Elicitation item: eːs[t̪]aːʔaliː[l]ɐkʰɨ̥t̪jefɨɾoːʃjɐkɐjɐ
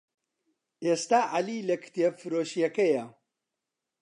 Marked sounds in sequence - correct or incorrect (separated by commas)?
correct, correct